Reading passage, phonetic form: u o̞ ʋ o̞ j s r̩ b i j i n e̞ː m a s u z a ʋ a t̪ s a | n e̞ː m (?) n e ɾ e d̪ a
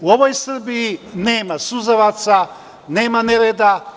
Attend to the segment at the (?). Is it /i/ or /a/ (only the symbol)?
a